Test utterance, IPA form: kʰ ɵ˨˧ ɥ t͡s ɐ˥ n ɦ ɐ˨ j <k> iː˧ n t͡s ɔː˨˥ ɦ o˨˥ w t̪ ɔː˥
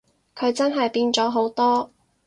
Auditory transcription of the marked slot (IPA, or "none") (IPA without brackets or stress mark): p